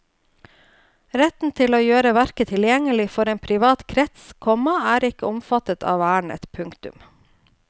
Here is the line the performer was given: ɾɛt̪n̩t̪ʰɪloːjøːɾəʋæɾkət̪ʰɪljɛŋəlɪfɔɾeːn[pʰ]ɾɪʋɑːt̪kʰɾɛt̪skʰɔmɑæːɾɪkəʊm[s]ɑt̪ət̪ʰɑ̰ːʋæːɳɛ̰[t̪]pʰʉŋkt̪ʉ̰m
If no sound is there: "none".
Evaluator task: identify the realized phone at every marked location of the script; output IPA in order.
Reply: pʰ, f, t̪

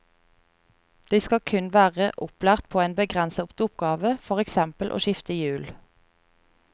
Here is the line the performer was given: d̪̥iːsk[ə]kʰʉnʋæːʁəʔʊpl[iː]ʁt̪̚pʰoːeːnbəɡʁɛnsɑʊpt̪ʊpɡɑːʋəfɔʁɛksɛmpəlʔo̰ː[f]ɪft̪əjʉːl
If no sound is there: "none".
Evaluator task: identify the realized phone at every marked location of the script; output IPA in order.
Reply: ɑ, æː, ʃ

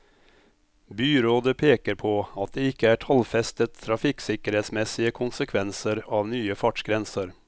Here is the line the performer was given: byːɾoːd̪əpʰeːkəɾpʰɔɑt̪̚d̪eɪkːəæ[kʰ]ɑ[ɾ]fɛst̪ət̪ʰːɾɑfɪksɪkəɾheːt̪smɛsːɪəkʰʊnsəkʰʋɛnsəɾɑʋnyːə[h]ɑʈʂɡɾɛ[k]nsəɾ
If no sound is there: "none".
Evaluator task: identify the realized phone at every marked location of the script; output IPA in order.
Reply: ʈʰ, l, f, none

